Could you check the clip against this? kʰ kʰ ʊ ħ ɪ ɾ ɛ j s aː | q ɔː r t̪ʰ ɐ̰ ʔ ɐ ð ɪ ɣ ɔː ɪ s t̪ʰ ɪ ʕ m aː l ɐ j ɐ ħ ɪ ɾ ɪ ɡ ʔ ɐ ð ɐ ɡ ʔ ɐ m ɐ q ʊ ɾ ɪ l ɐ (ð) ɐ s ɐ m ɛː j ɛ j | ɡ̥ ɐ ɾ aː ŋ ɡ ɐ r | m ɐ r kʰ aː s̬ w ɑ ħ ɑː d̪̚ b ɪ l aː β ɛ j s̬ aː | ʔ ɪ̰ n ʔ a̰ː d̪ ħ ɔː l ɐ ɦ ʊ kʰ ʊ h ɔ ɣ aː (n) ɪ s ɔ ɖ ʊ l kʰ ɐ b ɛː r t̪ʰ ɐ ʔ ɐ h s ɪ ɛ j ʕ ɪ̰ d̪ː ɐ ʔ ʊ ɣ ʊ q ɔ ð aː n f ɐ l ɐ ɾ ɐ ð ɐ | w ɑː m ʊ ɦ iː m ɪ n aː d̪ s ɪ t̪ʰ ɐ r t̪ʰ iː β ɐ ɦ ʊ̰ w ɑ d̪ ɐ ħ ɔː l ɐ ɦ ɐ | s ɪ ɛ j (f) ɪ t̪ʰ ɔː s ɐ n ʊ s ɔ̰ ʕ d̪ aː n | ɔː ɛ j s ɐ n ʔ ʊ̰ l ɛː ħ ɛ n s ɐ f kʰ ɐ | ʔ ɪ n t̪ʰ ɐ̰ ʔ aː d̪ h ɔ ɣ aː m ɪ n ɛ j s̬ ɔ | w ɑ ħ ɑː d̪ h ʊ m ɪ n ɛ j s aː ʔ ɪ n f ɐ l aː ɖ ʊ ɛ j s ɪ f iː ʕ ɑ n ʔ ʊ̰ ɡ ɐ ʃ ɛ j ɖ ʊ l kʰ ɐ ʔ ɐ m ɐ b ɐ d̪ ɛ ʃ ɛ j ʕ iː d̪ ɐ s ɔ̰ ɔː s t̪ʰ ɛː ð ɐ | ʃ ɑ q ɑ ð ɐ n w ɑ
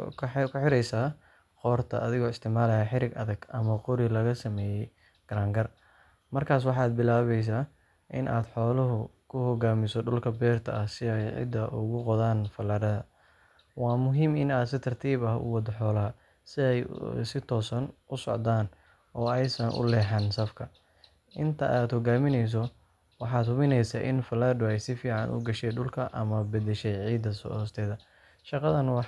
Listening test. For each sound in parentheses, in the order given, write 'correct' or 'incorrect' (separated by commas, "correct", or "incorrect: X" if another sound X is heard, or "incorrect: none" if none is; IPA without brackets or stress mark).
incorrect: ɣ, incorrect: m, incorrect: s